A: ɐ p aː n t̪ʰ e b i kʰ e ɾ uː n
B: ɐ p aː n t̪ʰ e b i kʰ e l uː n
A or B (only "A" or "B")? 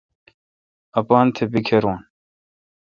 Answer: A